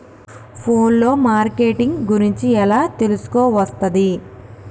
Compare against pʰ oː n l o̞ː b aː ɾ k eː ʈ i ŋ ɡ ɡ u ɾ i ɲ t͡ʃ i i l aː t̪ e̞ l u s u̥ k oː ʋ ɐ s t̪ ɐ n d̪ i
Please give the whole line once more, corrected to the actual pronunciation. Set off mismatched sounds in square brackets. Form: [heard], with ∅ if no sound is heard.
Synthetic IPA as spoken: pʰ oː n l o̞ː [m] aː ɾ k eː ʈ i ŋ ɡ ɡ u ɾ i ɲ t͡ʃ i [ɛ] l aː t̪ e̞ l u s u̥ k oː ʋ ɐ s t̪ ɐ [∅] d̪ i